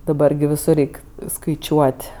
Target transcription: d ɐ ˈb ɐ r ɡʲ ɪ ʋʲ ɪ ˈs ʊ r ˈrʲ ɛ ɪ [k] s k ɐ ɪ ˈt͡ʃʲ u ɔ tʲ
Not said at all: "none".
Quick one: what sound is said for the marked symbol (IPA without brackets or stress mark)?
k